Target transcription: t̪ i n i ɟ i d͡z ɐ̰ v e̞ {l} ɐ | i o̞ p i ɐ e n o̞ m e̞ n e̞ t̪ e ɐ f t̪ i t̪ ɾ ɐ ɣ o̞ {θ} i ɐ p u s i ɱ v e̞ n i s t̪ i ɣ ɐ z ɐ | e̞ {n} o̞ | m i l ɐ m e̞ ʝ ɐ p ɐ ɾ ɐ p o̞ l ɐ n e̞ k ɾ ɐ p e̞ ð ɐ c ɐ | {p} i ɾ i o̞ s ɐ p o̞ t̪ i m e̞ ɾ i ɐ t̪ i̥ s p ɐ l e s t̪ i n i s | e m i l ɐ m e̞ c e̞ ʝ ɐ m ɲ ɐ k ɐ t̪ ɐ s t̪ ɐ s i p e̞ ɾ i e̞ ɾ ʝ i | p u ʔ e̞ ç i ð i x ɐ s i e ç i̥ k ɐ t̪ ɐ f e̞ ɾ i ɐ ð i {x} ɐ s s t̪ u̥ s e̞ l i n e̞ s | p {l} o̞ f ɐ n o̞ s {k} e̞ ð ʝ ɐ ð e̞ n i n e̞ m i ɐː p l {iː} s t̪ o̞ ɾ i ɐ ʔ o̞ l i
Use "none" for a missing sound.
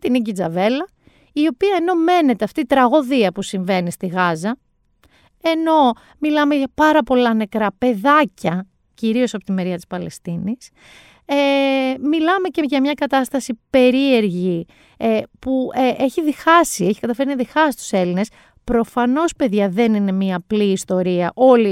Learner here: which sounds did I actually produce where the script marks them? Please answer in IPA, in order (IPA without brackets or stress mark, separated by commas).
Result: l, ð, n, c, x, ɾ, p, iː